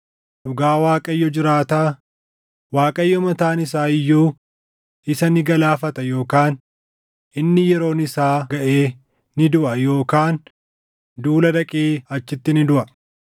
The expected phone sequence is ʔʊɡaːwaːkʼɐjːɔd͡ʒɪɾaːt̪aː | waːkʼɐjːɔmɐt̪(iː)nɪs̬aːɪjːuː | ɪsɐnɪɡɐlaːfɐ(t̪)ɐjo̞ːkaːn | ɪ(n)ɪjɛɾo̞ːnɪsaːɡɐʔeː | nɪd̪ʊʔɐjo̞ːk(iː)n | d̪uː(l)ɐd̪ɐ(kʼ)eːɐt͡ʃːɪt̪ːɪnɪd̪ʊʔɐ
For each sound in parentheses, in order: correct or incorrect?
incorrect, correct, incorrect, incorrect, correct, correct

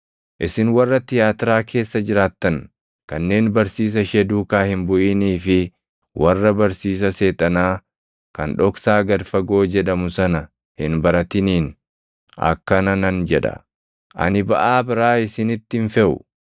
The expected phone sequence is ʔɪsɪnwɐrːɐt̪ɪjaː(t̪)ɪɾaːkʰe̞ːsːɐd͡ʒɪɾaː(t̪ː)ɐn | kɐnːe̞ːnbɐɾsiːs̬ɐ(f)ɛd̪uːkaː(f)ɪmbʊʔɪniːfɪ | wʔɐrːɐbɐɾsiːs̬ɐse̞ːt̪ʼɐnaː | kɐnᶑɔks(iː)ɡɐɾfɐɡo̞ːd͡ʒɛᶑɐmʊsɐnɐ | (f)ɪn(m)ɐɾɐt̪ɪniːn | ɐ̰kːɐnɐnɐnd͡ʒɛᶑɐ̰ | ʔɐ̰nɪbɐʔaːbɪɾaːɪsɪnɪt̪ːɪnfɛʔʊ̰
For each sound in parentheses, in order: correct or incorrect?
correct, correct, incorrect, incorrect, incorrect, incorrect, incorrect

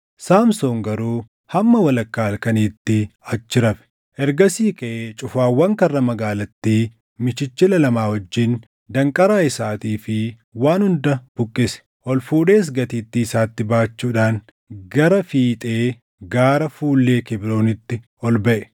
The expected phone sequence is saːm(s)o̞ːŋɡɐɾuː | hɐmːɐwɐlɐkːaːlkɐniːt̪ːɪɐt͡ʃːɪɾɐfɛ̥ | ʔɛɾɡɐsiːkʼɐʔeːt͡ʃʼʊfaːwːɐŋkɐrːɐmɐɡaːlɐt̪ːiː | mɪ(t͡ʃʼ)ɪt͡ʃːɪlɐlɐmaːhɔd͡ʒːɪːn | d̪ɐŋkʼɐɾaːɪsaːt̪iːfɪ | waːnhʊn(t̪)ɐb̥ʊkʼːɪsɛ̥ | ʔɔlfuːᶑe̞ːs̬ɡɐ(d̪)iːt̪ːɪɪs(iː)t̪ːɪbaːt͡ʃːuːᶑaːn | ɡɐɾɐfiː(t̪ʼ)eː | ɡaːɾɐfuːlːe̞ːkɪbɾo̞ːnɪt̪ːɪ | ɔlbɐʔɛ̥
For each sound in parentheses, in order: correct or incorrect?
correct, incorrect, incorrect, incorrect, incorrect, correct

